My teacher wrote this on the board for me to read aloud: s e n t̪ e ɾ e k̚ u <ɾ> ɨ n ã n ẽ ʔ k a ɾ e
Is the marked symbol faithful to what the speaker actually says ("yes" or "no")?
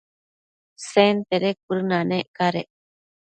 yes